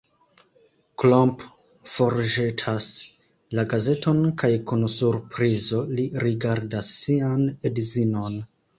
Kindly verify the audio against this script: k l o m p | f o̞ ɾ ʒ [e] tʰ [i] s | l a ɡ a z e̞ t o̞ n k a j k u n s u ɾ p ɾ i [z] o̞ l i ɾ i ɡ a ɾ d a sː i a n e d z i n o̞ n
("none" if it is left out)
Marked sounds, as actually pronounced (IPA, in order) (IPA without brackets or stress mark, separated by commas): e, a, z